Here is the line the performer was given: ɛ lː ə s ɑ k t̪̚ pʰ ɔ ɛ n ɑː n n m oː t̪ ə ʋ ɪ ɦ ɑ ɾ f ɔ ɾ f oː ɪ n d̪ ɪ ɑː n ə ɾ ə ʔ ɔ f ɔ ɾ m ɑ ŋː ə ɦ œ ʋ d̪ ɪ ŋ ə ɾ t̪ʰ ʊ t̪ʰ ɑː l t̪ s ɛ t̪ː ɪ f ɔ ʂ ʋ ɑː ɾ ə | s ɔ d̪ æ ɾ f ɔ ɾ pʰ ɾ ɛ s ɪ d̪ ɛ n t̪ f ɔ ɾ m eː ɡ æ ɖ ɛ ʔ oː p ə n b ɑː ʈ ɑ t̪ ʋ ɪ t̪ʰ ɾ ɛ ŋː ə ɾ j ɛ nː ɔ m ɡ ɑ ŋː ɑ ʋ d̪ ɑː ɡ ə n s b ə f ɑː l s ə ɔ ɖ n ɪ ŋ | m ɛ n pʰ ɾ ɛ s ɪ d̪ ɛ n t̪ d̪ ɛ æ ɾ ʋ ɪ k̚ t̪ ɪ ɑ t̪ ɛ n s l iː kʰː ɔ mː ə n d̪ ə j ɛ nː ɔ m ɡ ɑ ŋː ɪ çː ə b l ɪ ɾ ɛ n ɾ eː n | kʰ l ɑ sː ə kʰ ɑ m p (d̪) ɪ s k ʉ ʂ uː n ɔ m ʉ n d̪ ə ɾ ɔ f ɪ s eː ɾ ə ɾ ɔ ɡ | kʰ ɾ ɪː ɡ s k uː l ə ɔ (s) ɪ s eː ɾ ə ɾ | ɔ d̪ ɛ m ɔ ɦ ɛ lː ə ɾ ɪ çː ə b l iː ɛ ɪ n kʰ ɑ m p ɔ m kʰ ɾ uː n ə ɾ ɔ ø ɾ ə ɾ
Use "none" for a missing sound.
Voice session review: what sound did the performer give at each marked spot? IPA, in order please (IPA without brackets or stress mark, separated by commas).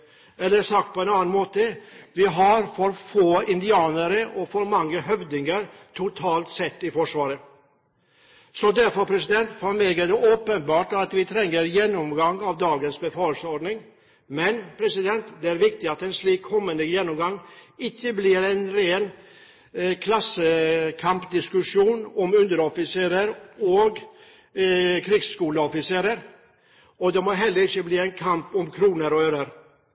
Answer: d̪, f